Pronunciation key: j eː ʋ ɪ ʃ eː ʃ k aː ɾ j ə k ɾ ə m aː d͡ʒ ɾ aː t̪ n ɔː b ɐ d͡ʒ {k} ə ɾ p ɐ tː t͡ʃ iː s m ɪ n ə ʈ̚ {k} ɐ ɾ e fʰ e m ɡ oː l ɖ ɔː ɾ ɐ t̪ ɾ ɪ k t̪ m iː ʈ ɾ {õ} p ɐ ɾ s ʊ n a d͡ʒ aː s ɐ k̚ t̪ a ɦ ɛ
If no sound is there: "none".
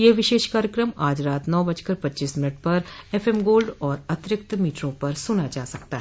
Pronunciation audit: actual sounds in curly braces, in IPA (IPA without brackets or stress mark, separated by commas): k, p, õ